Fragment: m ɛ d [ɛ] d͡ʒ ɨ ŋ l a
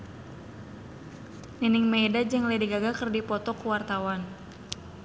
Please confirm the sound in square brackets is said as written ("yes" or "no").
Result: no